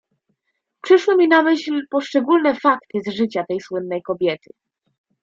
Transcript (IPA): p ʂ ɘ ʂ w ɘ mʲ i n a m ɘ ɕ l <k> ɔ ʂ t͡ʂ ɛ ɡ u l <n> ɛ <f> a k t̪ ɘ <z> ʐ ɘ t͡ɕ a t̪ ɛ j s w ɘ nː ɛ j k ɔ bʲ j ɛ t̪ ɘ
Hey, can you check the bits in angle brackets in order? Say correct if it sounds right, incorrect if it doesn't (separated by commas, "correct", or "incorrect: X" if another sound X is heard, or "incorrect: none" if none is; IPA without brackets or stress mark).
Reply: incorrect: p, correct, correct, correct